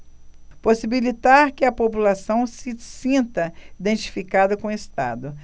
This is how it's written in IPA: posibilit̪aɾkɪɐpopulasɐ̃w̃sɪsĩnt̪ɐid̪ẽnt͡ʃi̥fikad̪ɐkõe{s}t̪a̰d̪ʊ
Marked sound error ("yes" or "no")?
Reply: no